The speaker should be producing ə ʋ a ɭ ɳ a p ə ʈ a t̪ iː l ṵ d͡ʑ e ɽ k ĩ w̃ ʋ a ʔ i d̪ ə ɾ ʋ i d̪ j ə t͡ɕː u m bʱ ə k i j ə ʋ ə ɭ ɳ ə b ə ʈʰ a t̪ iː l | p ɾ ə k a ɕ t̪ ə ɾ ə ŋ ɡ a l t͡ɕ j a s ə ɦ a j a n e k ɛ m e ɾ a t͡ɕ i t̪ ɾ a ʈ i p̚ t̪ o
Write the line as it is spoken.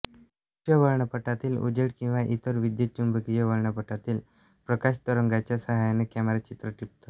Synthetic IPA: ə ʋ ə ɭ ɳ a p ə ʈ a t̪ iː l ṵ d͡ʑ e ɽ k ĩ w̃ ʋ a ʔ i t̪ ə ɾ ʋ i d̪ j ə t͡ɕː u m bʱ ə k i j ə ʋ ə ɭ ɳ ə p ə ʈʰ a t̪ iː l | p ɾ ə k a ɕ t̪ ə ɾ ə ŋ ɡ a t͡ɕ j a s ə ɦ a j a n e k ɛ m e ɾ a t͡ɕ i t̪ ɾ ə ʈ i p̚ t̪ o